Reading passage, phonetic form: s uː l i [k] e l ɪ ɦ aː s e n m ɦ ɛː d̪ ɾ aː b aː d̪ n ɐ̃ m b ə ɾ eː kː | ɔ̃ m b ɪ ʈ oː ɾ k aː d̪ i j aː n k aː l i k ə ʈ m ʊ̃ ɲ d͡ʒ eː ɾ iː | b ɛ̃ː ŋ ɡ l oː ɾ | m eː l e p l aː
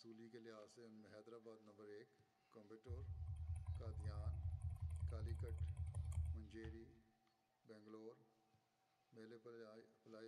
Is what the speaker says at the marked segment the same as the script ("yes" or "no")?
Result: yes